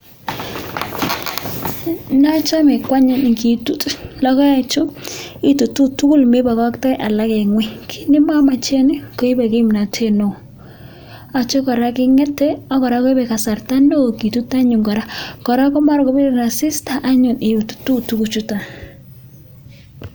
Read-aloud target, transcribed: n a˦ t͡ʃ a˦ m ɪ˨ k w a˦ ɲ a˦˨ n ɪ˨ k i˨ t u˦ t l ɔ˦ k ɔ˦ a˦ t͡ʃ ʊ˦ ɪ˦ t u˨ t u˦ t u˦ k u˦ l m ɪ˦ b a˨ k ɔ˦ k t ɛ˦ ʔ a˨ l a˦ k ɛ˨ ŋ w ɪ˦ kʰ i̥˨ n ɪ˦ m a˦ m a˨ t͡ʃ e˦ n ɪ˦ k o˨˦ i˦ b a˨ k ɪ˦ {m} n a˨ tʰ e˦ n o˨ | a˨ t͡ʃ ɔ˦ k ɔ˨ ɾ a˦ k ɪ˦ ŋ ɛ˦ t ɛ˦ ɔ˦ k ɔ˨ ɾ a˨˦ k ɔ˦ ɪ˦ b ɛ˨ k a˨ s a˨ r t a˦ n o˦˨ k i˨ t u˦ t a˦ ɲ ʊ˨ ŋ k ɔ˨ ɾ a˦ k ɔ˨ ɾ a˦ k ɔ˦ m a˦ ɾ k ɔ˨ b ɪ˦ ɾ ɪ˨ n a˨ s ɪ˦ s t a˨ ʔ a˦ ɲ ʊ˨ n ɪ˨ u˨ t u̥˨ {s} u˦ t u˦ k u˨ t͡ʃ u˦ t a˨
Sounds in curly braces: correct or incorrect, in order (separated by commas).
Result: correct, incorrect